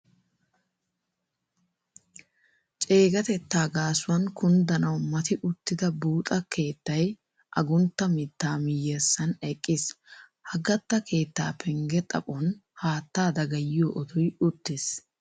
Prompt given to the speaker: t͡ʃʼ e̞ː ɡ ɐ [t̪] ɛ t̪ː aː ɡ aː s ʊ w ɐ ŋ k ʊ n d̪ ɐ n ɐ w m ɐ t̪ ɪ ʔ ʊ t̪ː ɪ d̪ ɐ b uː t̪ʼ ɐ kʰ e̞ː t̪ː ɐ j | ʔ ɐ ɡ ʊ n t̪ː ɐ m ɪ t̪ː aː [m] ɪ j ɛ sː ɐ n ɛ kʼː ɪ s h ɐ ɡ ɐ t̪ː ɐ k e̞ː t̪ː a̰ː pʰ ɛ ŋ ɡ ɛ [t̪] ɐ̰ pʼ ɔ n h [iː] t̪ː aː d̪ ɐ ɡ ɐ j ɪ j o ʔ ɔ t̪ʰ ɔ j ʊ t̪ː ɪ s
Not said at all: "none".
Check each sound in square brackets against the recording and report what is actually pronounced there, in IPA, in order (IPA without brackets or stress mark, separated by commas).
t̪, m, t̪ʼ, aː